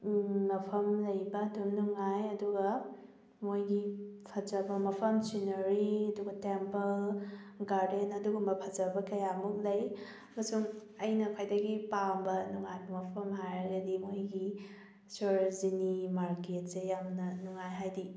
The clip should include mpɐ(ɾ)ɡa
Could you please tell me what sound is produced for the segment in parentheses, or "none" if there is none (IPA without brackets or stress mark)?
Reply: l